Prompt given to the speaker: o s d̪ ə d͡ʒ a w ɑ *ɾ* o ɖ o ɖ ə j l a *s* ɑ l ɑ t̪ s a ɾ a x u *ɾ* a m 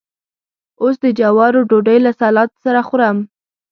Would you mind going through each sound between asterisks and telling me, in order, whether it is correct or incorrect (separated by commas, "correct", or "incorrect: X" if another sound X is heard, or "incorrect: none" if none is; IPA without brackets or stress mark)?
correct, correct, correct